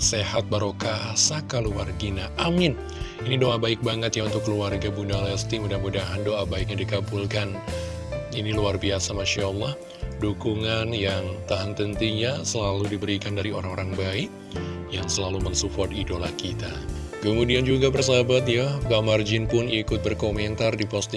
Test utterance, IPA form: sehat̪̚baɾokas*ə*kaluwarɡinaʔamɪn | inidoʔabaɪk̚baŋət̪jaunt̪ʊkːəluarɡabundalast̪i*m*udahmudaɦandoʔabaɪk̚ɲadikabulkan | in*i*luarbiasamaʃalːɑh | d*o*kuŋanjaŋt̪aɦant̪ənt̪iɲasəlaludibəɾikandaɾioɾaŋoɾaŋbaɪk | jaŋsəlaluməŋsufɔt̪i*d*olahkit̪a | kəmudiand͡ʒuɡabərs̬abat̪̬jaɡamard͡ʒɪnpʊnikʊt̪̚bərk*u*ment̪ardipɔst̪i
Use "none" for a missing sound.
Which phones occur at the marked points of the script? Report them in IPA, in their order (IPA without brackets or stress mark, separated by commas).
a, m, i, u, d, o